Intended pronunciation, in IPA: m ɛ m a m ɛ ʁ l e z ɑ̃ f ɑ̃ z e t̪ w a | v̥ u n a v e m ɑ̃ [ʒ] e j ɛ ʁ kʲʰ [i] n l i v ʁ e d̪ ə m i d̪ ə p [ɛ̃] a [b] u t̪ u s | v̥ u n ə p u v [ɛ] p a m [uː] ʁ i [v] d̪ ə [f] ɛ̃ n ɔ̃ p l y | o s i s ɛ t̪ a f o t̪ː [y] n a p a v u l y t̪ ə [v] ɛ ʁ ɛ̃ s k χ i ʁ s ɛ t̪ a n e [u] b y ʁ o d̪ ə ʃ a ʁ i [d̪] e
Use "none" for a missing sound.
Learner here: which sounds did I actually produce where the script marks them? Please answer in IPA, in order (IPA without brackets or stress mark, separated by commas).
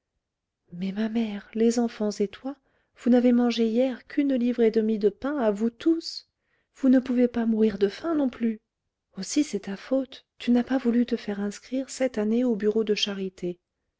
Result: ʒ, y, ɛ̃, v, e, u, ʁ, f, y, f, o, t̪